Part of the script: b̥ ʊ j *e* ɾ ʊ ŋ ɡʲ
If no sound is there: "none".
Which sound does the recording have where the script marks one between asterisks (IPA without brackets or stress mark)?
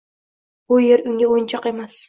e